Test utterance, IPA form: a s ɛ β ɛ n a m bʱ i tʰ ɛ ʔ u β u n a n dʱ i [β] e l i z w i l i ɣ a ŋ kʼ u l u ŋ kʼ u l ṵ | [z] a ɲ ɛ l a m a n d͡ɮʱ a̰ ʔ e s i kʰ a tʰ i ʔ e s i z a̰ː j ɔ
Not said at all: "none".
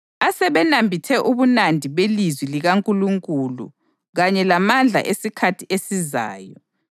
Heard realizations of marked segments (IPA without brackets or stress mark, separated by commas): β, ɣ